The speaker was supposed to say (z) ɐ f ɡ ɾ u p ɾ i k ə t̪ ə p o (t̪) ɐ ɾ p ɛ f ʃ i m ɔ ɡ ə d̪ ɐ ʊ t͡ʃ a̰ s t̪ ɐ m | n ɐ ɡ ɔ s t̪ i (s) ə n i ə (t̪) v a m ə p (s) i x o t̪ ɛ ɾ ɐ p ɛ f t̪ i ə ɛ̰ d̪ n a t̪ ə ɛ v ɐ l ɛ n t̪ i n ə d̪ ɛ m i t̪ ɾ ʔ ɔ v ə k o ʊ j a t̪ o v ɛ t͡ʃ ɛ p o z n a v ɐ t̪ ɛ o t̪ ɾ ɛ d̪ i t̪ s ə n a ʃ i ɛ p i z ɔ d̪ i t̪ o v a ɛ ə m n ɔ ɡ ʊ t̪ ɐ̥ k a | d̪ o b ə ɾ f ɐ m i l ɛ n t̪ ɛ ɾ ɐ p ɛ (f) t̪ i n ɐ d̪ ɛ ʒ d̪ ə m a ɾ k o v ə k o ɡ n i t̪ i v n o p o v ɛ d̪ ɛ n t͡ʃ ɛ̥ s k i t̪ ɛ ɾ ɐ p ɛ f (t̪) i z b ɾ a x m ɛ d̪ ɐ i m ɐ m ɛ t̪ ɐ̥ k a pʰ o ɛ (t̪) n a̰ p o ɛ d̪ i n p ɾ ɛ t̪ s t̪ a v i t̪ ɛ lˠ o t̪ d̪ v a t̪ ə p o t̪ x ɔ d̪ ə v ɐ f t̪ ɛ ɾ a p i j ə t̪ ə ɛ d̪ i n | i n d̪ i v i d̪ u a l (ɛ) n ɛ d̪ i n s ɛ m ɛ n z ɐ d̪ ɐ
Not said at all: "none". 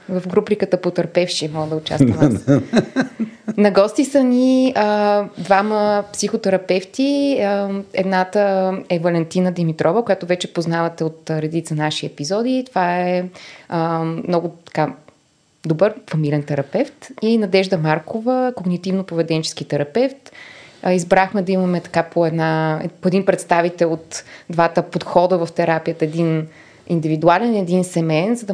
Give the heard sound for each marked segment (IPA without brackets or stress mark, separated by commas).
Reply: v, t̪, s, d̪, s, f, t̪, d̪, ɛ